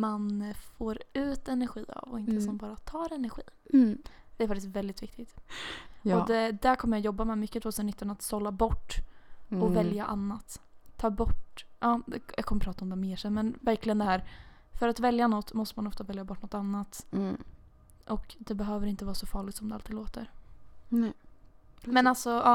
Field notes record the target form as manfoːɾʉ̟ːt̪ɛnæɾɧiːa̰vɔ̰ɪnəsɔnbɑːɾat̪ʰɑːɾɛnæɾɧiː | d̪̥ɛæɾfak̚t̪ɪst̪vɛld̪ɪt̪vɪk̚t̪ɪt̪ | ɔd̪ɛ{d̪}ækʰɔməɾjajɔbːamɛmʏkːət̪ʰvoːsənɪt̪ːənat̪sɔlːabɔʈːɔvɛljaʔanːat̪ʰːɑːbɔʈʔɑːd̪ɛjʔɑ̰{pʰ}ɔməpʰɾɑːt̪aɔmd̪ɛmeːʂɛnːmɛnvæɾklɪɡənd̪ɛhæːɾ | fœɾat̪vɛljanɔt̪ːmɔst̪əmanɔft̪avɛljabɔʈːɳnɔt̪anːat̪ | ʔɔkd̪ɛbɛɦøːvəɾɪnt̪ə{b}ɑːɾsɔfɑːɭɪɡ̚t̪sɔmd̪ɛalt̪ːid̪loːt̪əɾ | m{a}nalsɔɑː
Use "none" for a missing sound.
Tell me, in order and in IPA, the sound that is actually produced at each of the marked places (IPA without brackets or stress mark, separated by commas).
d̪, kʰ, v, ɛ